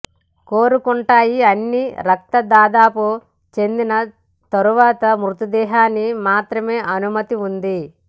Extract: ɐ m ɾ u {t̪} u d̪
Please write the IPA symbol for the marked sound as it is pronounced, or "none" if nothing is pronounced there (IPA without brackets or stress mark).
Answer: t̪